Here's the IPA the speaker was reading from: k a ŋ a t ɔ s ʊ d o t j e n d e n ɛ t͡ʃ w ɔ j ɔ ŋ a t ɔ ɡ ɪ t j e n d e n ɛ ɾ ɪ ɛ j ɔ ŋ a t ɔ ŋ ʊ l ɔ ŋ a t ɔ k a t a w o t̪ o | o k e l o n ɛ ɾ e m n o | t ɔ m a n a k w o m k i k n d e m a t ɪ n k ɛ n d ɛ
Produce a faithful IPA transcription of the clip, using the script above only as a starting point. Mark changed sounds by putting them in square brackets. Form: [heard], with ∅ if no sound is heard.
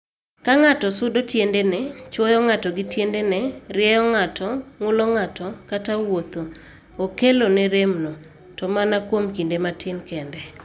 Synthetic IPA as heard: k a ŋ a t ɔ s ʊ d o t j e n d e n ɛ t͡ʃ w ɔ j ɔ ŋ a t ɔ ɡ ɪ t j e n d e n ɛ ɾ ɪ ɛ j ɔ ŋ a t ɔ ŋ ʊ l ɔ ŋ a t ɔ k a t a w o t̪ o | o k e l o n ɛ ɾ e m n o | t ɔ m a n a k w o m k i [∅] n d e m a t ɪ n k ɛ n d ɛ

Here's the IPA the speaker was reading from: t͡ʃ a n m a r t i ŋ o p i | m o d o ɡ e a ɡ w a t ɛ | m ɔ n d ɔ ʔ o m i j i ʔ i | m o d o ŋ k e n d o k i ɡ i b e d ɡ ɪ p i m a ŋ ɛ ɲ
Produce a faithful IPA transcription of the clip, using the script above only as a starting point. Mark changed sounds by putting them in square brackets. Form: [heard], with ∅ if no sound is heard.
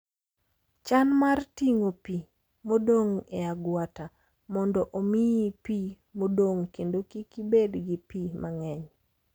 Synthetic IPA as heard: t͡ʃ a n m a r t i ŋ o p i | m o d o [ŋ] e a ɡ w a t [a] | m ɔ n d ɔ ʔ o m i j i [p] i | m o d o ŋ k e n d o k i [k] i b e d ɡ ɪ p i m a ŋ ɛ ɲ

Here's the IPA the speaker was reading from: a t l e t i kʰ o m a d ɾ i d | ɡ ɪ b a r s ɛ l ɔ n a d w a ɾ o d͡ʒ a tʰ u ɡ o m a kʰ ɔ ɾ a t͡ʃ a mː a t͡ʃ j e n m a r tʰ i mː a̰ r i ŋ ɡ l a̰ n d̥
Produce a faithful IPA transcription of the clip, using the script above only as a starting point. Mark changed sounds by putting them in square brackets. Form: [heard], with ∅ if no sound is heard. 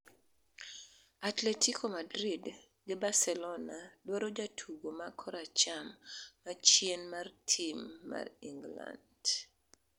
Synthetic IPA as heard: a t l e t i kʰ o m a d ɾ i d | ɡ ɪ b a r s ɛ l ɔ n a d w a ɾ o d͡ʒ a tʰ u ɡ o m a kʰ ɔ ɾ a t͡ʃ a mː a t͡ʃ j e n m a r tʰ i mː a̰ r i ŋ ɡ l a̰ n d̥

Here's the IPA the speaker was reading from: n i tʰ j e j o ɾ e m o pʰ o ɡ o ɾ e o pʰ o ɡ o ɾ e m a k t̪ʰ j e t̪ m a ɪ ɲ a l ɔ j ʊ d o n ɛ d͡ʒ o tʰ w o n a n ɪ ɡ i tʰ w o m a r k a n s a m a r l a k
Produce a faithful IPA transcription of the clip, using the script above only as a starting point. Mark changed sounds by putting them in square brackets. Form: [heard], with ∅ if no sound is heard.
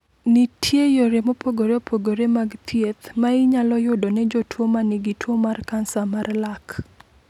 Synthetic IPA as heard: n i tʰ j e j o ɾ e m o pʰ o ɡ o ɾ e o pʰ o ɡ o ɾ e m a [ɡ] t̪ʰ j e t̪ m a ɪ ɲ a l ɔ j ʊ d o n ɛ d͡ʒ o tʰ w o [m] a n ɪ ɡ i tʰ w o m a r k a n s a m a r l a k

